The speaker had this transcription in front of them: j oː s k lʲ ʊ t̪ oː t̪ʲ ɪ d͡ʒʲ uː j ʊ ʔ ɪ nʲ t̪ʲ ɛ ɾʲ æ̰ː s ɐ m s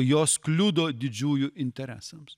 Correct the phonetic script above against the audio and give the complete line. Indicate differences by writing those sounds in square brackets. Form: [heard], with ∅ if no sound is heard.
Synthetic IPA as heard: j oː s k lʲ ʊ [d̪] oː [d̪ʲ] ɪ d͡ʒʲ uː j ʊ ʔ ɪ nʲ t̪ʲ ɛ ɾʲ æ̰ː s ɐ m s